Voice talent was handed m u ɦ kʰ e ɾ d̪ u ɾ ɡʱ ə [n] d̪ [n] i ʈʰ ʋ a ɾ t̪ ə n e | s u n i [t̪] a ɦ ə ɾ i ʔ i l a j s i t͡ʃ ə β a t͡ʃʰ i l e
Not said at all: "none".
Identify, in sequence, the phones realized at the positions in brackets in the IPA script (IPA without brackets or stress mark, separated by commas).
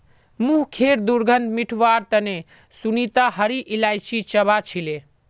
n, m, t̪